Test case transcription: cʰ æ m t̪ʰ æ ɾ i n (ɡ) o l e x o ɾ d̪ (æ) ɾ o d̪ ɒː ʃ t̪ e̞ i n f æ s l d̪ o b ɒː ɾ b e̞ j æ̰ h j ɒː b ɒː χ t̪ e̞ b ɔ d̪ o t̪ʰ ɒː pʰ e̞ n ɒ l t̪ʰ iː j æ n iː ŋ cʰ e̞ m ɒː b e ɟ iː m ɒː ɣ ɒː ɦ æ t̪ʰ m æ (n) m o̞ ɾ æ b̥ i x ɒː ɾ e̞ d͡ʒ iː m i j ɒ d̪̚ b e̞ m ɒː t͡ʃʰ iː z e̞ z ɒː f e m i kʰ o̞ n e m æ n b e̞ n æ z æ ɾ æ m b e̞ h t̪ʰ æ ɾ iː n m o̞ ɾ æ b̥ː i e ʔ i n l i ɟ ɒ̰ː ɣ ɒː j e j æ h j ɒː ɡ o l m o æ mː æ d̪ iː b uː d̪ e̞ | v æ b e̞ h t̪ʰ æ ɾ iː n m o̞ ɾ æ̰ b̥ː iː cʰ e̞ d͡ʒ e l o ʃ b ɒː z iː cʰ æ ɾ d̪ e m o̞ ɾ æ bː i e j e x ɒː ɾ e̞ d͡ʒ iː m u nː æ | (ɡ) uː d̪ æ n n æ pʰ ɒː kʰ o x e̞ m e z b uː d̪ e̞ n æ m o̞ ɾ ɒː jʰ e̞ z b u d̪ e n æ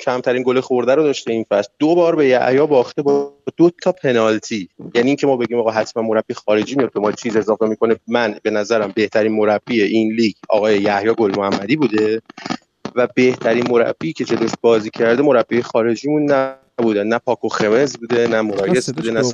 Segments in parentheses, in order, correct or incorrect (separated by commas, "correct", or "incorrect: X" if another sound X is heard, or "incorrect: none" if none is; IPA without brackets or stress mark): correct, correct, correct, incorrect: b